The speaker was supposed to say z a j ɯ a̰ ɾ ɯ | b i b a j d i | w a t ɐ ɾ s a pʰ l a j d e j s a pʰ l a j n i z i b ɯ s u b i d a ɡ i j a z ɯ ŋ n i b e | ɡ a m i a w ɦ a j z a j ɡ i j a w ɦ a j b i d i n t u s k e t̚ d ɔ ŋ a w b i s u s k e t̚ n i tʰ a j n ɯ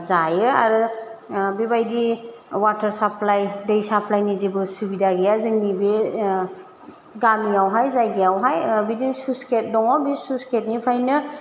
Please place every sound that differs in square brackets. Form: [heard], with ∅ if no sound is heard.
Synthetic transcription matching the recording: z a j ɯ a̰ ɾ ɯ | b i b a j d i | w a t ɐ ɾ s a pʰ l a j d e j s a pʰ l a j n i z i b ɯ s u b i d a ɡ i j a z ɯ ŋ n i b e | ɡ a m i a w ɦ a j z a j ɡ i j a w ɦ a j b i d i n [s] u s k e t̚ d ɔ ŋ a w b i s u s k e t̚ n i [pʰ] a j n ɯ